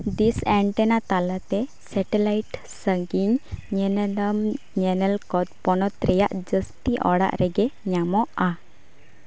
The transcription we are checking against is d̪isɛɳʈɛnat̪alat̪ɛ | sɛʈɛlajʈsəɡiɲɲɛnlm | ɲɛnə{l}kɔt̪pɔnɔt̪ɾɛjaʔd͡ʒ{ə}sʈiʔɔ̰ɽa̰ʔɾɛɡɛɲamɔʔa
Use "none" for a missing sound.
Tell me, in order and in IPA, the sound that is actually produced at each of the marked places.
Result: l, ə

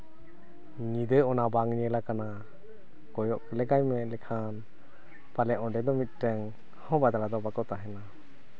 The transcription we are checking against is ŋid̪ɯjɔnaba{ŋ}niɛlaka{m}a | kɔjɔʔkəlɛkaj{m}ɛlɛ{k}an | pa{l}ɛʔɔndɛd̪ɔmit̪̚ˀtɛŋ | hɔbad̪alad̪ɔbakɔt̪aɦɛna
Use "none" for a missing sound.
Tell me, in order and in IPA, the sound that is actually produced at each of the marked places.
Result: ŋ, n, m, kʰ, l

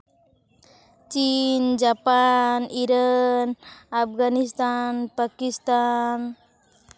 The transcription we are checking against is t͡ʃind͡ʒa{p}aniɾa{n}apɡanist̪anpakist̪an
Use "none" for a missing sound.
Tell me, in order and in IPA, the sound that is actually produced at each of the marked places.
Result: p, n

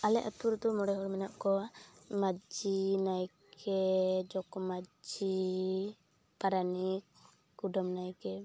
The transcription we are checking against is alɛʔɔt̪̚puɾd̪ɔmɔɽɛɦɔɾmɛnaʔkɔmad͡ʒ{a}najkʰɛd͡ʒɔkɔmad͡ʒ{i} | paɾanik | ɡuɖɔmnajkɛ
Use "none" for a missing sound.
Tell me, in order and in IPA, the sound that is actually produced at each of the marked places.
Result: i, i

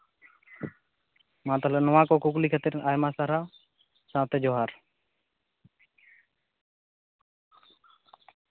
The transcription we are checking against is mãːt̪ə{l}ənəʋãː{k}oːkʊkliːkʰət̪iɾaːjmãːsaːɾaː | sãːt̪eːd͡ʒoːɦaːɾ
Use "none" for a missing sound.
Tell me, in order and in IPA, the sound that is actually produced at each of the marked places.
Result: l, k

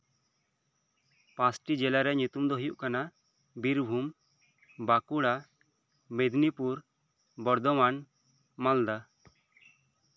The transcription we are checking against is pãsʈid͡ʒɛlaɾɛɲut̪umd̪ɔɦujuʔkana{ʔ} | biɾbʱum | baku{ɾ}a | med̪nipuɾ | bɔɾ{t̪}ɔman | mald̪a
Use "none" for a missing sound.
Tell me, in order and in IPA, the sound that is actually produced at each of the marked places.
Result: none, ɽ, d̪

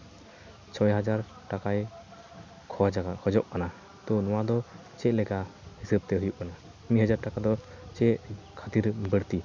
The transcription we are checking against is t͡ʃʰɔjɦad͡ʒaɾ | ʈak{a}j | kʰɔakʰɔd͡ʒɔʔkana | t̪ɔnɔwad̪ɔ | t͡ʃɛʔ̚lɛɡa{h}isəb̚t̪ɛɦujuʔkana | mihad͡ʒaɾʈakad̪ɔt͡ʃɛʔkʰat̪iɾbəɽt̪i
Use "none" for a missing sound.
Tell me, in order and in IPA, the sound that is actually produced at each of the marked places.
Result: a, h

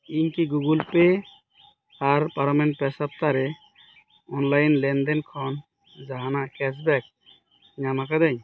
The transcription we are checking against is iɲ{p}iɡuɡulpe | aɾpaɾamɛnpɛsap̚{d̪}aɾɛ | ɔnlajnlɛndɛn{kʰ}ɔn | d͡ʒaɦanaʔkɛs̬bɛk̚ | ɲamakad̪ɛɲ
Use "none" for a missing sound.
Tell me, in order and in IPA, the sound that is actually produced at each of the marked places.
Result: k, t̪, kʰ

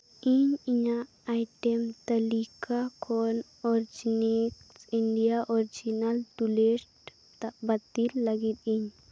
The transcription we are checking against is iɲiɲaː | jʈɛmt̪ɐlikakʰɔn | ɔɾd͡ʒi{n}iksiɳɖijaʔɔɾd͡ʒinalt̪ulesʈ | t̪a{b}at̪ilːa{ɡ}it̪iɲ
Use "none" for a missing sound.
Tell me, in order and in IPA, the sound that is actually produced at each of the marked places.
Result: n, b, ɡ

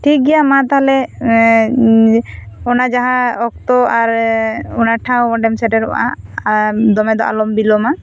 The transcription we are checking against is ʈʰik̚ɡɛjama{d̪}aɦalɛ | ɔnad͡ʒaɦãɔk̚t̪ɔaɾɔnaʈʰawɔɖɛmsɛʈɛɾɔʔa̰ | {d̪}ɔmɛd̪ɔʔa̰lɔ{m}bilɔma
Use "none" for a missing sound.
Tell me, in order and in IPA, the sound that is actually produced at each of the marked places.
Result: t̪, d̪, m

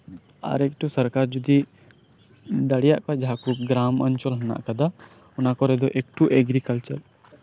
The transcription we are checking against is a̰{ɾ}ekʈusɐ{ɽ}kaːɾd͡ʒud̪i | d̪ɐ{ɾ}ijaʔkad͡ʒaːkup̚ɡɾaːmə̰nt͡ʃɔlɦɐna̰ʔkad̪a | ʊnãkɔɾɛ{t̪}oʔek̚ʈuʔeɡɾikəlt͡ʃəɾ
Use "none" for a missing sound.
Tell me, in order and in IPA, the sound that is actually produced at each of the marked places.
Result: ɾ, ɾ, ɽ, d̪

